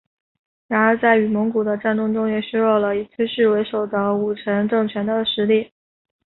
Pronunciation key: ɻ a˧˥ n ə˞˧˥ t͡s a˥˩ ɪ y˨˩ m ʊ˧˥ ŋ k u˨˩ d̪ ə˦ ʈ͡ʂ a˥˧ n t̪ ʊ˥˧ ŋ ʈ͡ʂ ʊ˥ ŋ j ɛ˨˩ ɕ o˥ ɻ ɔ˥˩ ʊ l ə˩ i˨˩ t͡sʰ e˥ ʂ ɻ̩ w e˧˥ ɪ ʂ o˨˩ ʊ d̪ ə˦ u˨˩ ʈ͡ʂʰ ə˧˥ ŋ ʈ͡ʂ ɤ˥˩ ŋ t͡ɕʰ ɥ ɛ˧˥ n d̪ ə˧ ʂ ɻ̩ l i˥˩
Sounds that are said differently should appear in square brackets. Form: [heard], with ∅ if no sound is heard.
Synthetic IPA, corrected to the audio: ɻ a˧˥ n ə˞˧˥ t͡s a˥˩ ɪ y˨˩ m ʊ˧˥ ŋ k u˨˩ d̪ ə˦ ʈ͡ʂ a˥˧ n t̪ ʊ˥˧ ŋ ʈ͡ʂ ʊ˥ ŋ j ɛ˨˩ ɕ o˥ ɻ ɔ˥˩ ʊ l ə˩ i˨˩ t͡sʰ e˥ ʂ ɻ̩ w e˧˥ ɪ ʂ o˨˩ ʊ d̪ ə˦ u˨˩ ʈ͡ʂʰ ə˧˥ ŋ ʈ͡ʂ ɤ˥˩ ŋ t͡ɕʰ ɥ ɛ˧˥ n d̪ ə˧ ʂ ɻ̩ l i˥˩